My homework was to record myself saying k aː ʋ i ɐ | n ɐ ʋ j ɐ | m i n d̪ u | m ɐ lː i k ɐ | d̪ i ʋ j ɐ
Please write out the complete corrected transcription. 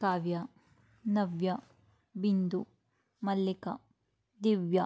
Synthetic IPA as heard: k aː ʋ j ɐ | n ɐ ʋ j ɐ | b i n d̪ u | m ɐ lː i k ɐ | d̪ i ʋ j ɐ